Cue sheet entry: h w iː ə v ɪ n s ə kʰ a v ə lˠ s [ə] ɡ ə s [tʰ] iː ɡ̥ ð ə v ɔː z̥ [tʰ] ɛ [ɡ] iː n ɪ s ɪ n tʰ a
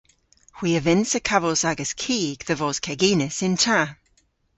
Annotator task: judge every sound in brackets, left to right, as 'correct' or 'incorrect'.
incorrect: a, incorrect: kʰ, incorrect: kʰ, correct

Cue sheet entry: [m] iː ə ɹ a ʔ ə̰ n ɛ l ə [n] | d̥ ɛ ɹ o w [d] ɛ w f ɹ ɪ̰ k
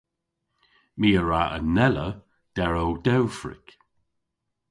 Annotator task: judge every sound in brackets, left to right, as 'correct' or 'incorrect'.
correct, incorrect: none, correct

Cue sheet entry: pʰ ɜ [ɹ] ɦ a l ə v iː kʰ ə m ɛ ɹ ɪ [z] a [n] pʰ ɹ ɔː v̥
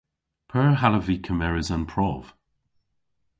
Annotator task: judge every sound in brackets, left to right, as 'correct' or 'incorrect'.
correct, correct, correct

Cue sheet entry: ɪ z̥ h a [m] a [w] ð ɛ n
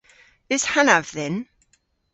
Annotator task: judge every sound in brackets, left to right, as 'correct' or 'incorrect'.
incorrect: n, incorrect: v

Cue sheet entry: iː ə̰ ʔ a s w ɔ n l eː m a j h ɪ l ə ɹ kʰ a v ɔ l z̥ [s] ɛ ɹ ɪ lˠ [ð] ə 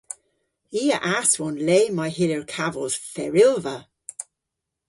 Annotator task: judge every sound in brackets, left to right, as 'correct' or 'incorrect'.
incorrect: f, incorrect: v

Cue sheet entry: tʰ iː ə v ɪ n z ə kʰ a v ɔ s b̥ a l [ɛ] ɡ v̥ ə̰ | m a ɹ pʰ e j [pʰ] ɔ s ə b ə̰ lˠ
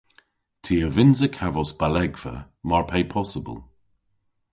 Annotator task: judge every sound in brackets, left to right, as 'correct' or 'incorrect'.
correct, correct

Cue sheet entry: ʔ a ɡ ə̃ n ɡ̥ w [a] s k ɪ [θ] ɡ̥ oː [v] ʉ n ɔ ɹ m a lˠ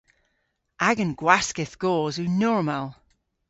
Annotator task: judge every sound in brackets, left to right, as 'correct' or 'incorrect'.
correct, correct, incorrect: z

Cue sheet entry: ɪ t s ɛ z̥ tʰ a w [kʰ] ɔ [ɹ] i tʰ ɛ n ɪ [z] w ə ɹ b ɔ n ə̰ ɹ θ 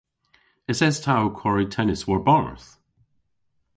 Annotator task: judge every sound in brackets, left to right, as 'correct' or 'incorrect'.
correct, correct, incorrect: s

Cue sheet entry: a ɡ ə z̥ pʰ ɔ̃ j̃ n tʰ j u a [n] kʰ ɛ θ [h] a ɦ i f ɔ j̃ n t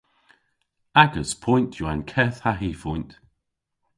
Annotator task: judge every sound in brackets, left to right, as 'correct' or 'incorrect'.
correct, correct

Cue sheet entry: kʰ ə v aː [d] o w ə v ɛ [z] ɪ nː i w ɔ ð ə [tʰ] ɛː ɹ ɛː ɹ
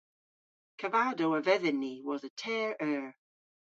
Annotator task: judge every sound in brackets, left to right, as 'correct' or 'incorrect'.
correct, incorrect: ð, correct

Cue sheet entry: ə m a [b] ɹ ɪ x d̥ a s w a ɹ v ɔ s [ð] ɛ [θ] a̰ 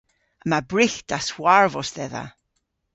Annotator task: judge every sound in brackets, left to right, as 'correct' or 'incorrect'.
correct, correct, incorrect: ð

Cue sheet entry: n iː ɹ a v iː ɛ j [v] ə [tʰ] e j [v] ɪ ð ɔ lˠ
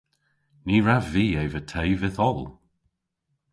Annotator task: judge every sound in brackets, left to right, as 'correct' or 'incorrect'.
correct, correct, correct

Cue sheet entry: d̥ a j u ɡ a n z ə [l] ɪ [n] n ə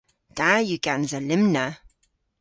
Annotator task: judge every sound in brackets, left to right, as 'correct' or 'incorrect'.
correct, incorrect: m

